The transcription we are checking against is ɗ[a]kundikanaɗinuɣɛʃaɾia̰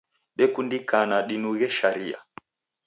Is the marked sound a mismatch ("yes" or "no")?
yes